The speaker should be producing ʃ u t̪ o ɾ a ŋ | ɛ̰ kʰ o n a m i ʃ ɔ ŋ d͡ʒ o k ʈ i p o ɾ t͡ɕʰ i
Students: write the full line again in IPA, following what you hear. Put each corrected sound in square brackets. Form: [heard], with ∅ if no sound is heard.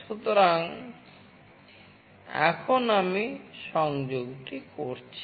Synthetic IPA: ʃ u t̪ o ɾ a ŋ | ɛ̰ kʰ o n a m i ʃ ɔ ŋ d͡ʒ o [ɡ] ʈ i [k] o ɾ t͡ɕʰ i